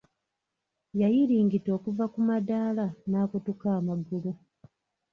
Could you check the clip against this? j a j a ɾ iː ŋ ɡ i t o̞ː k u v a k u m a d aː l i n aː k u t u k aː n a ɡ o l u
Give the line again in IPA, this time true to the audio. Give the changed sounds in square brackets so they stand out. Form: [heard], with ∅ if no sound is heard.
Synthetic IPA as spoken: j a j [i] ɾ iː ŋ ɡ i t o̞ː k u v a k u m a d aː l [a] n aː k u t u k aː [m] a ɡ [u] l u